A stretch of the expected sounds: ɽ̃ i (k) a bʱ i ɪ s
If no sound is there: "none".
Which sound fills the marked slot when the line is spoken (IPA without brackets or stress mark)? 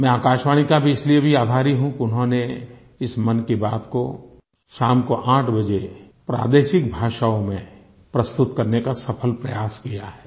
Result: k